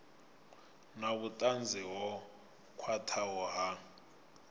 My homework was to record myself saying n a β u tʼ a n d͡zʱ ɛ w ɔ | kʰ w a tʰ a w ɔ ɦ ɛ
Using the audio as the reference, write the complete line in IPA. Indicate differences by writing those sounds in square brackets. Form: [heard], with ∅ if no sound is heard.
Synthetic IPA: n a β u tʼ a n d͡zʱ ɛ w ɔ | kʰ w a tʰ a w ɔ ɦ [a]